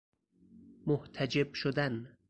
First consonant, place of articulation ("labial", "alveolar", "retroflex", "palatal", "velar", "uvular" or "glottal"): labial